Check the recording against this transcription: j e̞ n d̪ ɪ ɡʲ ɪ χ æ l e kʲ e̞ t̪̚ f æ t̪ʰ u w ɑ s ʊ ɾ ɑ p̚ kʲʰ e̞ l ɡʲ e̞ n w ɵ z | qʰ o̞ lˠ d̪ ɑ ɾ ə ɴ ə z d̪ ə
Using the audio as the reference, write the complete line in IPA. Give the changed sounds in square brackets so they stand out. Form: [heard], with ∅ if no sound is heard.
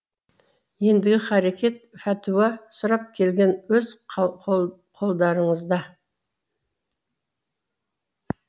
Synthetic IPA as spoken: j e̞ n d̪ ɪ ɡʲ ɪ χ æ [ɾ] e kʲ e̞ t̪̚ f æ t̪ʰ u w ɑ s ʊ ɾ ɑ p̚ kʲʰ e̞ l ɡʲ e̞ n w ɵ z | qʰ o̞ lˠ d̪ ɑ ɾ ə ɴ ə z d̪ [ɑ]